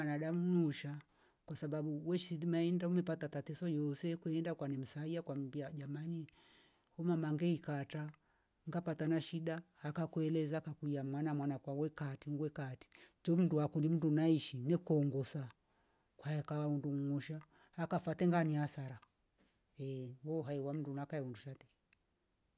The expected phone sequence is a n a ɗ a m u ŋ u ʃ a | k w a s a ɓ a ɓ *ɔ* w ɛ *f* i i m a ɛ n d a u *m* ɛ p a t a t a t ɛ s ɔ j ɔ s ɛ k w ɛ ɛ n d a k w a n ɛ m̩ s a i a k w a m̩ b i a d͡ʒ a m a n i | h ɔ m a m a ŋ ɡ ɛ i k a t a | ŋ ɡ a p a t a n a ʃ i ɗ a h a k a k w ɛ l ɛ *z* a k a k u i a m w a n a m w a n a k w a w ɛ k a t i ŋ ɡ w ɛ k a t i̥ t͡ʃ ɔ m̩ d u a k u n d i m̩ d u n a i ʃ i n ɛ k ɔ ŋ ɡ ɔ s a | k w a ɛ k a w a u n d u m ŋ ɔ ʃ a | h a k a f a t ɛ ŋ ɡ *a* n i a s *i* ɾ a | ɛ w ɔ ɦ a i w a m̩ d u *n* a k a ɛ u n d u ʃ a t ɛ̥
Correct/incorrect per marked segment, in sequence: incorrect, incorrect, correct, correct, correct, incorrect, correct

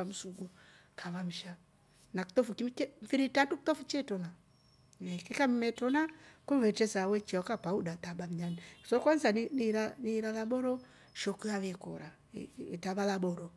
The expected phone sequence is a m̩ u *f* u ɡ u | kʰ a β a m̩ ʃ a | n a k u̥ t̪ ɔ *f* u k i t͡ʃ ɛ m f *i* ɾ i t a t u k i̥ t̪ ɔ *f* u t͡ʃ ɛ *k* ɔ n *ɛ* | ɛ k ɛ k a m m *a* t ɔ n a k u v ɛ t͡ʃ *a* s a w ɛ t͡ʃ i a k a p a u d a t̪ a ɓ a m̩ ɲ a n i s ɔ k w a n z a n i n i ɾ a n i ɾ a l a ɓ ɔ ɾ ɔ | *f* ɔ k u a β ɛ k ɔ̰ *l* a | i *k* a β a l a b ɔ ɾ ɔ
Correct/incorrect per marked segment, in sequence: incorrect, correct, correct, correct, incorrect, incorrect, incorrect, incorrect, incorrect, incorrect, incorrect

